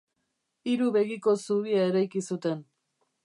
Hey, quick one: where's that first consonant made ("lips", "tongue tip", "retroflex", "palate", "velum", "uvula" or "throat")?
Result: tongue tip